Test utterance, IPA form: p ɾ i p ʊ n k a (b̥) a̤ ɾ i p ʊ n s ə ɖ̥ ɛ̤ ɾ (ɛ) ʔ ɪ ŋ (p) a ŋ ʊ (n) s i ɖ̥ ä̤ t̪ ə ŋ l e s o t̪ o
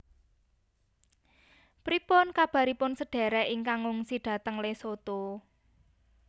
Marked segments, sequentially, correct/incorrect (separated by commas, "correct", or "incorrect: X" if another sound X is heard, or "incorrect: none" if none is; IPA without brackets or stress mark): correct, correct, incorrect: k, incorrect: ŋ